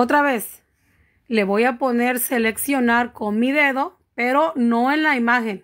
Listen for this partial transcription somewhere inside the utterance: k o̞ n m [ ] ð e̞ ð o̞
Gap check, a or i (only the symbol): i